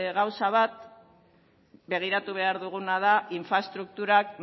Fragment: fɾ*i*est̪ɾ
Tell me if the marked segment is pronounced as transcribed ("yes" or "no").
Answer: no